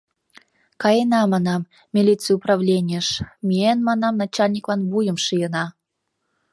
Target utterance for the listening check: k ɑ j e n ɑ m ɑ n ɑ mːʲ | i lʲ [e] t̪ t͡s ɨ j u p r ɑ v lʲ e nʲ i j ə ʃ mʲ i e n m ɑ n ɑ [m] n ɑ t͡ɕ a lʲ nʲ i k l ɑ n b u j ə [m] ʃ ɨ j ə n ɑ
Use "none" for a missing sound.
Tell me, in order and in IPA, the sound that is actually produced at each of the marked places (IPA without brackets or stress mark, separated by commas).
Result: i, m, m